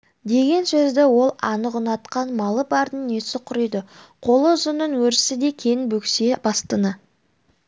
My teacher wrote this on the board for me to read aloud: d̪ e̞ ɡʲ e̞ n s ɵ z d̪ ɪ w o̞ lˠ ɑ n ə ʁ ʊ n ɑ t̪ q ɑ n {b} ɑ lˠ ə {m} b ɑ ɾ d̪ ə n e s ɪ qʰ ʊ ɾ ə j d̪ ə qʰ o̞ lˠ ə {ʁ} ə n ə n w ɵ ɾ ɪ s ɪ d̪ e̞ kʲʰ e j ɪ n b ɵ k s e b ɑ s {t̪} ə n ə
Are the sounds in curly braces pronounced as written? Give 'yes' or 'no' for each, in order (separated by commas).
no, no, no, yes